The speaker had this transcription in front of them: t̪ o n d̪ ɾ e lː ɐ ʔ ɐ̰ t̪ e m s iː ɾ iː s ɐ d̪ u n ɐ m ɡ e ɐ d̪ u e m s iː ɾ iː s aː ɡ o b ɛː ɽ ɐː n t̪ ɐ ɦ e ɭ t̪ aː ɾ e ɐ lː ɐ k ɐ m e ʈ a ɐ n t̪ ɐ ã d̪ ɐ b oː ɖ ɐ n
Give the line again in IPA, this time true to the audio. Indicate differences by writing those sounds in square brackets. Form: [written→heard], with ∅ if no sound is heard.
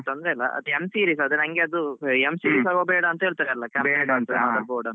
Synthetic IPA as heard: t̪ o n d̪ ɾ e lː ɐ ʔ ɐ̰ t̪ e m s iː ɾ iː s ɐ d̪ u n ɐ [m→ŋ] ɡ e ɐ d̪ u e m s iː ɾ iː s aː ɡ o b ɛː ɽ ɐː n t̪ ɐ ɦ e ɭ t̪ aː ɾ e ɐ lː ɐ k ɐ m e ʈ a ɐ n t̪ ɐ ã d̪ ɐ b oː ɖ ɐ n